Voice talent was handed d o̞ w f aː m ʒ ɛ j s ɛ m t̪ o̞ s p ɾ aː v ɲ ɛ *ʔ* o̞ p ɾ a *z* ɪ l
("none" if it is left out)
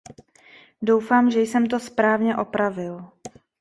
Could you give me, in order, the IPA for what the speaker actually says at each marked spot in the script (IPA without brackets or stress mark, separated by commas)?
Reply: ʔ, v